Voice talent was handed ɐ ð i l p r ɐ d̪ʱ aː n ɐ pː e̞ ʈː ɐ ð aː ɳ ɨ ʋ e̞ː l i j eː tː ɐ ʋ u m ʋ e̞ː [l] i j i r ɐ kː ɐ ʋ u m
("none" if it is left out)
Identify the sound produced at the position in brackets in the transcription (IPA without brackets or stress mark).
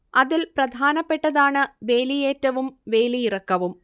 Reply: l